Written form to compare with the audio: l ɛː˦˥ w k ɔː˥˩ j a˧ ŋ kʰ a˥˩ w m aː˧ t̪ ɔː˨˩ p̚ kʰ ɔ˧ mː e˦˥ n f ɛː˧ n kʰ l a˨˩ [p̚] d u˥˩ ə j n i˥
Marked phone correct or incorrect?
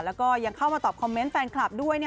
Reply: correct